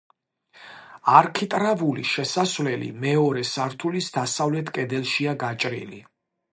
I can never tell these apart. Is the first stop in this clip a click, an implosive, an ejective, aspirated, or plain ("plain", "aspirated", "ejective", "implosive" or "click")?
aspirated